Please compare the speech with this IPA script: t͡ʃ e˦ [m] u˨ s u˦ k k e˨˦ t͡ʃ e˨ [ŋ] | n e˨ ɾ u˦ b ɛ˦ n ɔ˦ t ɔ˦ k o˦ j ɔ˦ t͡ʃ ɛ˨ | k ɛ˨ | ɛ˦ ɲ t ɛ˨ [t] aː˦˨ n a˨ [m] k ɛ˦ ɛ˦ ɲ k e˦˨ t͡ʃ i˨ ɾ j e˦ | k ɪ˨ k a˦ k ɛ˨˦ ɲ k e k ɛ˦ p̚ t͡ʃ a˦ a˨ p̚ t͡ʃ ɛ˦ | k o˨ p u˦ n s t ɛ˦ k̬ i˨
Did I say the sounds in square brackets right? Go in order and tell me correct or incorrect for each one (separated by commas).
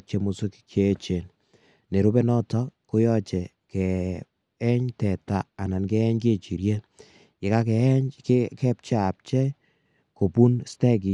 correct, incorrect, correct, incorrect